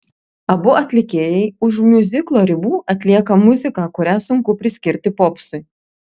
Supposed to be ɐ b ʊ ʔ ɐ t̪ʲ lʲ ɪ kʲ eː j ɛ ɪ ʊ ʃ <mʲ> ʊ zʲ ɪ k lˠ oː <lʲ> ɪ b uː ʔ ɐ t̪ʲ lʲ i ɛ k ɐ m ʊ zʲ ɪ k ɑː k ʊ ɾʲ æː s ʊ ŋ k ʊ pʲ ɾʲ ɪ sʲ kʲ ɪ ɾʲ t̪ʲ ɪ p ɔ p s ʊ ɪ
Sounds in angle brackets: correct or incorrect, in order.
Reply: correct, incorrect: ɾʲ

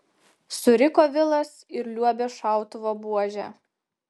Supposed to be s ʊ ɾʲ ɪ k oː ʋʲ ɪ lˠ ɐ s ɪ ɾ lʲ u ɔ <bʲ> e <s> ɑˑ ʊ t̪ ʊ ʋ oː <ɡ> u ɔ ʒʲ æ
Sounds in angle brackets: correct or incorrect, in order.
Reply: correct, incorrect: ʃ, incorrect: b

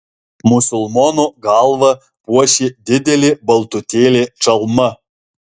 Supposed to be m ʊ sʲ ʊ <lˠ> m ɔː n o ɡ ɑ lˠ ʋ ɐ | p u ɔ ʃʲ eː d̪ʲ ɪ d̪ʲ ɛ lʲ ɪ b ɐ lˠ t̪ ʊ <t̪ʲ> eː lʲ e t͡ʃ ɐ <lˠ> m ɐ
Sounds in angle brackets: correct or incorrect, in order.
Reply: correct, correct, correct

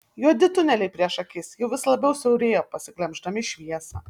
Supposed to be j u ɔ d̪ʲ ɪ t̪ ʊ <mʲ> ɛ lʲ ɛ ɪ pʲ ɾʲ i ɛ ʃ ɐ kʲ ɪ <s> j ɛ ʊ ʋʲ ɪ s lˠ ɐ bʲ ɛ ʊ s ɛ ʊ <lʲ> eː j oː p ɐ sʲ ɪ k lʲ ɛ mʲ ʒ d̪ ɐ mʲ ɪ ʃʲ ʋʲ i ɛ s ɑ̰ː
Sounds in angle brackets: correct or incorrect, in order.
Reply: incorrect: nʲ, correct, incorrect: ɾʲ

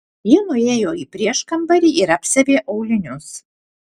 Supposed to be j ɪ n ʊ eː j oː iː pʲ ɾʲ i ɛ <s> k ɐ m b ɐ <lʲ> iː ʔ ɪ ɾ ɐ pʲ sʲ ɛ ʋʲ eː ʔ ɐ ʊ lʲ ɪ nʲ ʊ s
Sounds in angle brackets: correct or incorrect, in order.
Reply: incorrect: ʃ, incorrect: ɾʲ

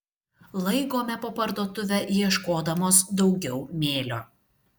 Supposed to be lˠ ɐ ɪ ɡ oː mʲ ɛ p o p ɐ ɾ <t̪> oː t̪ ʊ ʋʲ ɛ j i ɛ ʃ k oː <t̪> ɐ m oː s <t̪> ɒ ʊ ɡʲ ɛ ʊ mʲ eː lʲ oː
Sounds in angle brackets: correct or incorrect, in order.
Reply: incorrect: d̪, incorrect: d̪, incorrect: d̪

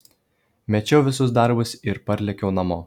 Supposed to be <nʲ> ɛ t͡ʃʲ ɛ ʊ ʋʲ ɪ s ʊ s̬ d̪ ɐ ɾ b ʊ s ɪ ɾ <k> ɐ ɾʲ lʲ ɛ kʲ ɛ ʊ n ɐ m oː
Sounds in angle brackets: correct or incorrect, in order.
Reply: incorrect: mʲ, incorrect: p

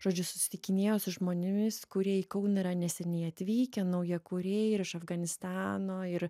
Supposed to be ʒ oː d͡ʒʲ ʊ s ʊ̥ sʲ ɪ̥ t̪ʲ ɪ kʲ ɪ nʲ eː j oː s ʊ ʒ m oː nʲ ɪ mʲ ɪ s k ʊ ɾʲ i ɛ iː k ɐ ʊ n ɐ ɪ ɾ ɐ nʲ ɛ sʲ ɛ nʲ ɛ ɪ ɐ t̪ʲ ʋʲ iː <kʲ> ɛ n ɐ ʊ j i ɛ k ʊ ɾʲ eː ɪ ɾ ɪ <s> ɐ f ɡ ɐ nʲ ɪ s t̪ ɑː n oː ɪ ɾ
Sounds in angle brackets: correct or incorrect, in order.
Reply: correct, incorrect: ʃ

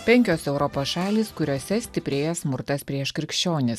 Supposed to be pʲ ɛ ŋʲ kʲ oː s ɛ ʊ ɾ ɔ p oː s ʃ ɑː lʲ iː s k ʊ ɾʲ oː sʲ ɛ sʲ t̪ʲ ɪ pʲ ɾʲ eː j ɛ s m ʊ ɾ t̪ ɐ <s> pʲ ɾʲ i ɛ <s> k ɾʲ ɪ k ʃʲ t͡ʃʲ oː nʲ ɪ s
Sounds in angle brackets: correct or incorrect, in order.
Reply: correct, incorrect: ʃ

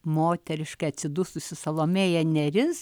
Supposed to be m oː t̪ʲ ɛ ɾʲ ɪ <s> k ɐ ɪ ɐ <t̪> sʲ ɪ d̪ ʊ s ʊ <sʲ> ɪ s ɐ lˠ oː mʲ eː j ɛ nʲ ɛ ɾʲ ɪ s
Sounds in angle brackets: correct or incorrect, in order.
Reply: incorrect: ʃ, correct, correct

